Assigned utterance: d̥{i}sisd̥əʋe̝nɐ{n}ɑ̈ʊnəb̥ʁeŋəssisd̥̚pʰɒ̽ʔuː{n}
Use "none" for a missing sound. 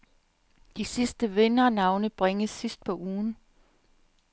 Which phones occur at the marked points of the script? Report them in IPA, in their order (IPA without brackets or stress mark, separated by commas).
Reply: i, n, n